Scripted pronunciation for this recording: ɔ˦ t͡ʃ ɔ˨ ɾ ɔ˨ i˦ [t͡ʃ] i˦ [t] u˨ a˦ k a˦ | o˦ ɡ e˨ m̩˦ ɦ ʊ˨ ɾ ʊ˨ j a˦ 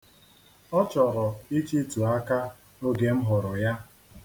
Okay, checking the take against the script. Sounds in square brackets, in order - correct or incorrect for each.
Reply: correct, correct

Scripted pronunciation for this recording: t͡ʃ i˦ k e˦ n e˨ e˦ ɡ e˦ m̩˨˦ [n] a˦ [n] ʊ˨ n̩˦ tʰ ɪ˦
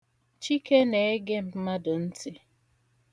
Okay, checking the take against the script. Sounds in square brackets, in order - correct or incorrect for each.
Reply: incorrect, incorrect

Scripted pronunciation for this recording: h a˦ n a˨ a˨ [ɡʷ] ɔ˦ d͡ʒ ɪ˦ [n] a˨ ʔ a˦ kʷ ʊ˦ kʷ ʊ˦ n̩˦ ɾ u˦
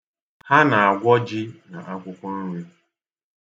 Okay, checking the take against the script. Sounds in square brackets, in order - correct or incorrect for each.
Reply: correct, correct

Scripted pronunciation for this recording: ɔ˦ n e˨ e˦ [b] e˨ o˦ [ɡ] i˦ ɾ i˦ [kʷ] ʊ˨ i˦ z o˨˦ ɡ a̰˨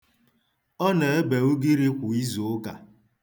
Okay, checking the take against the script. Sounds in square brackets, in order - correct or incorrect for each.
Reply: correct, correct, correct

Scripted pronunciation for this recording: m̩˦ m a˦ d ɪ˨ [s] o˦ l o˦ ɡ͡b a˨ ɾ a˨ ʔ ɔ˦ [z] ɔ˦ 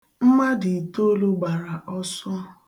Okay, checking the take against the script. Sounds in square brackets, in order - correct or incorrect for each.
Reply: incorrect, incorrect

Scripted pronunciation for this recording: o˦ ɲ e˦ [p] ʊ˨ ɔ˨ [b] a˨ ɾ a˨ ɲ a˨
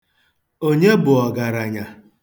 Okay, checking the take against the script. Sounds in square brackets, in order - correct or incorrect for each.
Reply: incorrect, incorrect

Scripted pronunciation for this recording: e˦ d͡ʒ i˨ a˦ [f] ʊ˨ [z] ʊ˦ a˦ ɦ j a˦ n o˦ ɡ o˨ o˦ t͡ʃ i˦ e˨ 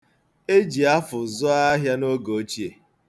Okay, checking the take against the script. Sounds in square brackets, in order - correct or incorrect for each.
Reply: correct, correct

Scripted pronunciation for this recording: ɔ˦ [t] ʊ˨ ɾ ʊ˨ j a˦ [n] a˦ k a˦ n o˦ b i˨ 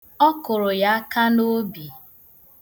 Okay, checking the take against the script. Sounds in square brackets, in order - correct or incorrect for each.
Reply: incorrect, incorrect

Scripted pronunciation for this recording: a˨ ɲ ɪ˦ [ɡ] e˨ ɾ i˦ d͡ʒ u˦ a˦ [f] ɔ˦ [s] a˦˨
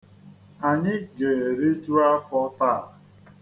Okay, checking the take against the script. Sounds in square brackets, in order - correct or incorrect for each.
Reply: correct, correct, incorrect

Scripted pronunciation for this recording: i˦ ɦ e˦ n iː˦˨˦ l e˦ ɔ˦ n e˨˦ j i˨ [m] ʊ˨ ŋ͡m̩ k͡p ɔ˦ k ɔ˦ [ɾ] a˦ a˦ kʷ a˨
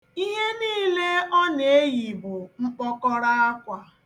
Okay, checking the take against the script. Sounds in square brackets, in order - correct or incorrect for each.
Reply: incorrect, correct

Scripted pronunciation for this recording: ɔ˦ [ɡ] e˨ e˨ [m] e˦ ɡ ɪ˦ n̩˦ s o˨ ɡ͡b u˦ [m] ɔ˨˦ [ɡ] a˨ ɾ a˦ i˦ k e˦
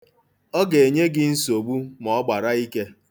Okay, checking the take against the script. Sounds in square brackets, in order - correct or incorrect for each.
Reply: correct, incorrect, correct, incorrect

